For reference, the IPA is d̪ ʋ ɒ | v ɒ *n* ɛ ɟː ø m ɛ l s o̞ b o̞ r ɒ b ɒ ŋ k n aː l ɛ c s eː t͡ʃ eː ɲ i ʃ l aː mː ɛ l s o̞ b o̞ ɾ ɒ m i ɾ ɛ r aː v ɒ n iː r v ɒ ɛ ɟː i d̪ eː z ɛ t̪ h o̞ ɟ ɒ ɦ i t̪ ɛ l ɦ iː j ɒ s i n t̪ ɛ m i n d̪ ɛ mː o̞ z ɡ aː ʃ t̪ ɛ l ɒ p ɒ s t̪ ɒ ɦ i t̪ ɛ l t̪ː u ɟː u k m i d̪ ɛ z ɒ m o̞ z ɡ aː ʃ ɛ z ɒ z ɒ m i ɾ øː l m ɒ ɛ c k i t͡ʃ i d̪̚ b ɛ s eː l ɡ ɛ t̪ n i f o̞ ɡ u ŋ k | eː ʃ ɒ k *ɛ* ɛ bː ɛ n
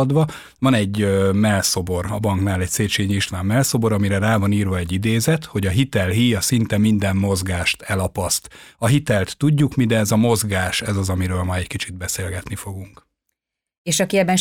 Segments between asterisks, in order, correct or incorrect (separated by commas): correct, incorrect